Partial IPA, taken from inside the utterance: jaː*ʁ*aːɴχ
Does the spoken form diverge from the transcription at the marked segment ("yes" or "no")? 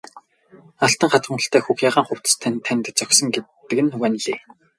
no